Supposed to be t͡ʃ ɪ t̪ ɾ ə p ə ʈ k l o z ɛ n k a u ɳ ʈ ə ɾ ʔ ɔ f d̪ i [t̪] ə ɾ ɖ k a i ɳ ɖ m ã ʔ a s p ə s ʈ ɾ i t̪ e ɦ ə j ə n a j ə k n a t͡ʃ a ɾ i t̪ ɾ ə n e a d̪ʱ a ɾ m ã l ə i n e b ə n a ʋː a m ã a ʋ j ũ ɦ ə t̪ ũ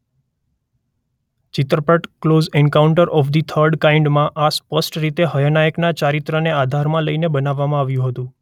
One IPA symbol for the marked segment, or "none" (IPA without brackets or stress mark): t̪ʰ